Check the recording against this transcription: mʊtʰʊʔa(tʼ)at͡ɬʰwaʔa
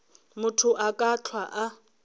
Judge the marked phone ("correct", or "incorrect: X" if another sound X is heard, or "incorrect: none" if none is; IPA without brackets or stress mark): incorrect: kʼ